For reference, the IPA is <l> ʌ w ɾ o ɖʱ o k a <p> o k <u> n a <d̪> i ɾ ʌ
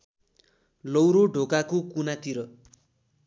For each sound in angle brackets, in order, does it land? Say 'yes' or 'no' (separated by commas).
yes, no, yes, no